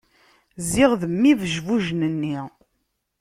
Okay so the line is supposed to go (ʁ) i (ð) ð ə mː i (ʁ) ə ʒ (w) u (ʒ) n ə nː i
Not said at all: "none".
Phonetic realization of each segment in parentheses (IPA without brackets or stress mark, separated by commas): z, ʁ, v, v, ʒ